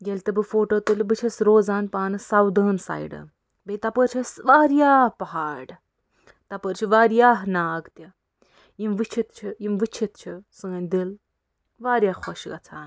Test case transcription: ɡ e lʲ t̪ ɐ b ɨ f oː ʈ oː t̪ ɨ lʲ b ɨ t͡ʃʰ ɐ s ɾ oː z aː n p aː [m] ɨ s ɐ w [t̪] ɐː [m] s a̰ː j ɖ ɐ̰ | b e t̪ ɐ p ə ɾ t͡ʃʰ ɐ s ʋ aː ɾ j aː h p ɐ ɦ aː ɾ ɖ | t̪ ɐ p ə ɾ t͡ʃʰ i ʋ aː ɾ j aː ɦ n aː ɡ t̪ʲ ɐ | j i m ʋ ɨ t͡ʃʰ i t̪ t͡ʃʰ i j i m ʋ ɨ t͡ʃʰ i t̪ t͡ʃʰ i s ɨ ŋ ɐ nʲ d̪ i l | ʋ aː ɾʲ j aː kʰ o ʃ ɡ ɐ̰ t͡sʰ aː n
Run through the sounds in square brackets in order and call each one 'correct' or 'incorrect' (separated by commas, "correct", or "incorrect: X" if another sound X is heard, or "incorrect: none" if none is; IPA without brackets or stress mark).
incorrect: n, incorrect: d̪, incorrect: n